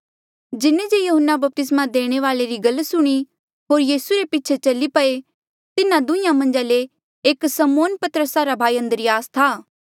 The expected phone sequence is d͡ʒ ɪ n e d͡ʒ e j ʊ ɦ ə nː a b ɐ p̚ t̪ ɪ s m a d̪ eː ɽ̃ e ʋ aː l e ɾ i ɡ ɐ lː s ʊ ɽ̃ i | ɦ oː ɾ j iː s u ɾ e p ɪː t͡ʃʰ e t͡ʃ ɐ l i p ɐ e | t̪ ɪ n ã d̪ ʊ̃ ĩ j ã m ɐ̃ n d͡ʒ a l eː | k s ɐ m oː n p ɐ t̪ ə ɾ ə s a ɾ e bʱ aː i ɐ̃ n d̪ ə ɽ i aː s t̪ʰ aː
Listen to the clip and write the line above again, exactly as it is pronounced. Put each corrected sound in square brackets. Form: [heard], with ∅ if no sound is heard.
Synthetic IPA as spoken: d͡ʒ ɪ n e d͡ʒ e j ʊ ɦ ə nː a b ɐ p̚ t̪ ɪ s m a d̪ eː ɽ̃ e ʋ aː l e ɾ i ɡ ɐ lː s ʊ ɽ̃ i | ɦ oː ɾ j iː s u ɾ e p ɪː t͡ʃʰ e t͡ʃ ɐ l i p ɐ e | t̪ ɪ n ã d̪ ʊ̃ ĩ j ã m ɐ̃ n d͡ʒ a l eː | k s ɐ m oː n p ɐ t̪ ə ɾ ə s a ɾ [a] bʱ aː i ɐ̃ n d̪ ə [ɾ] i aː s t̪ʰ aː